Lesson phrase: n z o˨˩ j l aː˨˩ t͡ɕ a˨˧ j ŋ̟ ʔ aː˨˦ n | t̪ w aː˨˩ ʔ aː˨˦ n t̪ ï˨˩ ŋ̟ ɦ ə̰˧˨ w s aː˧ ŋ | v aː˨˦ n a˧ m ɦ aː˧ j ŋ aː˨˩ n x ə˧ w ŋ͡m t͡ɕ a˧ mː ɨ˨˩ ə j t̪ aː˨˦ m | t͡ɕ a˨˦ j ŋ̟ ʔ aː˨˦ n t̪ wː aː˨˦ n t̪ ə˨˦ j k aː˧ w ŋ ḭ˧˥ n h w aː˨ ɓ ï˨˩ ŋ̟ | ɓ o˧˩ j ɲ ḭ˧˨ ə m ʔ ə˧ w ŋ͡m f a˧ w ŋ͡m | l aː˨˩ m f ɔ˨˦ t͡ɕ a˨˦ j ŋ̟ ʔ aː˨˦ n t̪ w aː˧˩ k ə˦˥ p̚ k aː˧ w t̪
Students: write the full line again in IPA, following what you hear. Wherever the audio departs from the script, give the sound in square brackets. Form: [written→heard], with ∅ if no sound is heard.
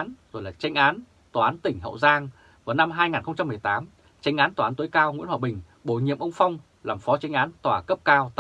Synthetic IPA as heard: n z o˨˩ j l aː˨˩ t͡ɕ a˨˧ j ŋ̟ ʔ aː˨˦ n | t̪ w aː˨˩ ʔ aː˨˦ n t̪ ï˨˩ ŋ̟ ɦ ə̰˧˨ w [s→z] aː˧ ŋ | v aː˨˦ n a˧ m ɦ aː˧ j ŋ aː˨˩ n x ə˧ w ŋ͡m t͡ɕ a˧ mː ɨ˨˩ ə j t̪ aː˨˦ m | t͡ɕ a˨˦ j ŋ̟ ʔ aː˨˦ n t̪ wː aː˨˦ n t̪ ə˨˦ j k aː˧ w ŋ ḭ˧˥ n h w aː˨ ɓ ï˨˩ ŋ̟ | ɓ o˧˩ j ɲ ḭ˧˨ ə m ʔ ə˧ w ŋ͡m f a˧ w ŋ͡m | l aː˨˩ m f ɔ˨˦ t͡ɕ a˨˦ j ŋ̟ ʔ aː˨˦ n t̪ w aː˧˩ k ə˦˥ p̚ k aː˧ w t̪